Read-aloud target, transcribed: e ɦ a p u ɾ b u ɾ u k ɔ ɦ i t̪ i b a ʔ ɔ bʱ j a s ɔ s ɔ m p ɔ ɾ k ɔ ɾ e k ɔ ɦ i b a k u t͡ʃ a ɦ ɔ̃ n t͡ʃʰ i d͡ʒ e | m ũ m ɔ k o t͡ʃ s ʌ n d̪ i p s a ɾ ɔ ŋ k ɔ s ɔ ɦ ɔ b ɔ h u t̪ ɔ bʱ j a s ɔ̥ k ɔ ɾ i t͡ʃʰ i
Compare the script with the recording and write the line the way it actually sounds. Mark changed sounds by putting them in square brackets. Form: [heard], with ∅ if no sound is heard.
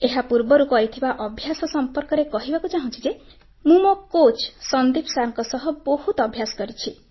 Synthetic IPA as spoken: e ɦ a p u ɾ b [ɔ] ɾ u k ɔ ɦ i [t̪ʰ] i b a ʔ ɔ bʱ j a s ɔ s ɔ m p ɔ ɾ k ɔ ɾ e k ɔ ɦ i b a k u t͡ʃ a ɦ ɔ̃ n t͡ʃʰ i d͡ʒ e | m ũ m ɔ k o t͡ʃ s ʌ n d̪ i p s a ɾ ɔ ŋ k ɔ s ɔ ɦ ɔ b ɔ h u t̪ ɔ bʱ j a s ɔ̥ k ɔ ɾ i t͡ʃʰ i

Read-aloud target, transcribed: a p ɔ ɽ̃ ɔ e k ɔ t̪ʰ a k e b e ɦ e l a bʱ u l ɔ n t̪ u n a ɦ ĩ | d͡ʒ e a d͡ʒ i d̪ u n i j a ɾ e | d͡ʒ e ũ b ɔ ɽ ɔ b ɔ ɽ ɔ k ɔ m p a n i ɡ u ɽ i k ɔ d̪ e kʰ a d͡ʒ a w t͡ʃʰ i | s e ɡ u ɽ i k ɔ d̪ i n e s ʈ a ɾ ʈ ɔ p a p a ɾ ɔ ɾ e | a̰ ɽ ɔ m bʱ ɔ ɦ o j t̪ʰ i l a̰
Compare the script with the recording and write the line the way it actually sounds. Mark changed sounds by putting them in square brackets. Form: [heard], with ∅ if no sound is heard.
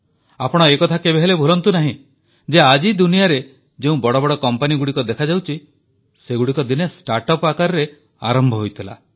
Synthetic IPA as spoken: a p ɔ ɽ̃ ɔ e k ɔ t̪ʰ a k e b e ɦ e l [e] bʱ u l ɔ n t̪ u n a ɦ ĩ | d͡ʒ e a d͡ʒ i d̪ u n i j a ɾ e | d͡ʒ e ũ b ɔ ɽ ɔ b ɔ ɽ ɔ k ɔ m p a n i ɡ u ɽ i k ɔ d̪ e kʰ a d͡ʒ a w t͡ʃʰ i | s e ɡ u ɽ i k ɔ d̪ i n e s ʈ a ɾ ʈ ɔ p a [k] a ɾ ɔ ɾ e | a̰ [ɾ] ɔ m bʱ ɔ ɦ o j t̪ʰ i l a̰

